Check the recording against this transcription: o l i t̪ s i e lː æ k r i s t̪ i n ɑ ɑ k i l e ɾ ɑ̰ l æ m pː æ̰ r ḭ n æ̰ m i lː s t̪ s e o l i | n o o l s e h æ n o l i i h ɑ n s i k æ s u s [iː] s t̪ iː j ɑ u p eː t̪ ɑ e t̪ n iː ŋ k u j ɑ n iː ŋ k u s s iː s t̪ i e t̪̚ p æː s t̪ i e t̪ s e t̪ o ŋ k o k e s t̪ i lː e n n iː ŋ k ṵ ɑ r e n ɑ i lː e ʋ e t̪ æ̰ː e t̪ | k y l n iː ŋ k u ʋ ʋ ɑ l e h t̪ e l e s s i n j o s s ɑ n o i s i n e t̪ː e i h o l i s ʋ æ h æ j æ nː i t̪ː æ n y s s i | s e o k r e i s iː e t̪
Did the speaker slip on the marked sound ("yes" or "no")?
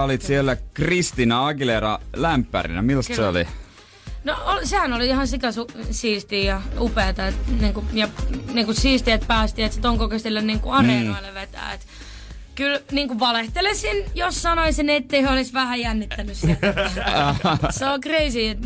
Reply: no